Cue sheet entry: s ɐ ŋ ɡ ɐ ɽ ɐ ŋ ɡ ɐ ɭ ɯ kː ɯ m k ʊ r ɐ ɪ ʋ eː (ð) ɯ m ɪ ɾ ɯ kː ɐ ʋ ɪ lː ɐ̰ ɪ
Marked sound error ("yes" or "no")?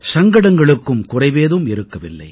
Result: no